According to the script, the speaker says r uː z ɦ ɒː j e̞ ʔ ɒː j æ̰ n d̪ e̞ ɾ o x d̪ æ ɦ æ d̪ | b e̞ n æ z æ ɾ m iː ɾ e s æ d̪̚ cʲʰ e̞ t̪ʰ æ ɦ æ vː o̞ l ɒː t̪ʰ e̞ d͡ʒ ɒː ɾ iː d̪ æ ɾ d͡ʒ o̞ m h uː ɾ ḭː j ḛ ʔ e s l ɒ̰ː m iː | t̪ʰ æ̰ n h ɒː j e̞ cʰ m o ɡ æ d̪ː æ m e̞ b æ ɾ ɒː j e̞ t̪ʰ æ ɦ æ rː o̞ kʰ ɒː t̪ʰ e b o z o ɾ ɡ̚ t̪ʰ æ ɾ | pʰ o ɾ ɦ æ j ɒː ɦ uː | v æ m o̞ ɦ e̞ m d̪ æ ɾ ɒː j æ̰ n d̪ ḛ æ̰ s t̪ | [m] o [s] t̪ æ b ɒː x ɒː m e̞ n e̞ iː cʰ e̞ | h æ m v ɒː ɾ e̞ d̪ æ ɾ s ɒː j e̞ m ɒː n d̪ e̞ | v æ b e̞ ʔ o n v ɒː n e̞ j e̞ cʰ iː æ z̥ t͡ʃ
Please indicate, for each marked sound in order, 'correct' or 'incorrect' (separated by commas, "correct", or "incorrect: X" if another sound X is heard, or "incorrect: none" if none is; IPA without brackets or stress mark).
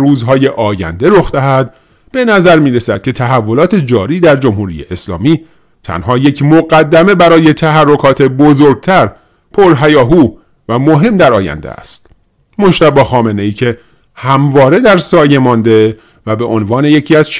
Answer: correct, incorrect: ʃ